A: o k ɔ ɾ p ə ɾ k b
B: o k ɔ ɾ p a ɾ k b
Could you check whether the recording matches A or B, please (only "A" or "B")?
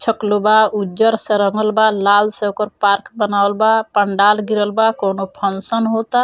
B